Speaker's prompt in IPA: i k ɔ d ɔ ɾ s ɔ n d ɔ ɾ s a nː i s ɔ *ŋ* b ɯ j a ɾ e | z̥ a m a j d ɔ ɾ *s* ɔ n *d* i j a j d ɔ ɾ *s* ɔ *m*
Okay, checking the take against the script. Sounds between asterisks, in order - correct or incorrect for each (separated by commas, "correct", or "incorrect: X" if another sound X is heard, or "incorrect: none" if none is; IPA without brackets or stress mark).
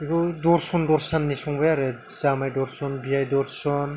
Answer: correct, correct, incorrect: b, correct, incorrect: n